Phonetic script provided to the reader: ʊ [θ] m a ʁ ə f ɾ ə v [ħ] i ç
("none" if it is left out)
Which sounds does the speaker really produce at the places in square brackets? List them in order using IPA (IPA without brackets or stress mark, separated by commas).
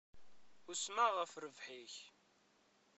s, ħ